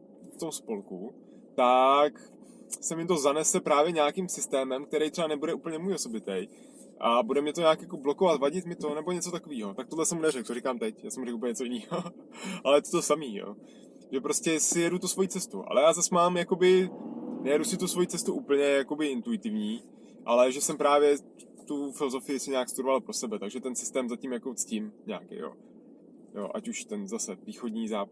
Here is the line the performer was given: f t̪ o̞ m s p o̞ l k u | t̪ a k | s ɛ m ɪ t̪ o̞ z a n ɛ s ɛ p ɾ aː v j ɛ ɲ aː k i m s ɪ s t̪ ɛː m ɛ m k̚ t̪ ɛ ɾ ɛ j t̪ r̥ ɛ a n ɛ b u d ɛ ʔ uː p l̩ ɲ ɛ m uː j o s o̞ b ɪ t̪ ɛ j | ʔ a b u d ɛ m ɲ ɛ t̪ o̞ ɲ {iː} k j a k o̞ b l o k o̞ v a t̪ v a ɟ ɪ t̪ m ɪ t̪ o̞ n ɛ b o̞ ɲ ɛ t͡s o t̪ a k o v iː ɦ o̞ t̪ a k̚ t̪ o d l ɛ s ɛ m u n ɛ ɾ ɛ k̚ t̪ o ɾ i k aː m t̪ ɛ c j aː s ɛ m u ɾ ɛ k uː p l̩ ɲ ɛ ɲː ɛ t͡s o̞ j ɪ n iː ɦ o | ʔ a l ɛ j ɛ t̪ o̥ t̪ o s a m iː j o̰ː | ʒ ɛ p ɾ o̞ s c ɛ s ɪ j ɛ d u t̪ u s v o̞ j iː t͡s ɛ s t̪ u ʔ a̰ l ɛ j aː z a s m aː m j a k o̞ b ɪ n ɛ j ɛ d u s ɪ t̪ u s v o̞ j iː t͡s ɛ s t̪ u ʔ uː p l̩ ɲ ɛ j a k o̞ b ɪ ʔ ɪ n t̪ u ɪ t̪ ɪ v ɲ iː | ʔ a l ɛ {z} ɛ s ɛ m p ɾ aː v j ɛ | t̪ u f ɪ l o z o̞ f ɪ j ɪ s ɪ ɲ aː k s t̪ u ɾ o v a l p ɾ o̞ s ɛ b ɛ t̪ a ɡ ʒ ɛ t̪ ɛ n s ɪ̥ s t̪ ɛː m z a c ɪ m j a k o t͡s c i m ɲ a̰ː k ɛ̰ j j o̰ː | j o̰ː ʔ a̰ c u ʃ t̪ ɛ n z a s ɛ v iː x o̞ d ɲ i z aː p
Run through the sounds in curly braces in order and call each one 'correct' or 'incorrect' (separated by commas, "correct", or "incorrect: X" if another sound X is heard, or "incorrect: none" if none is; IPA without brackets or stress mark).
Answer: incorrect: aː, incorrect: ʒ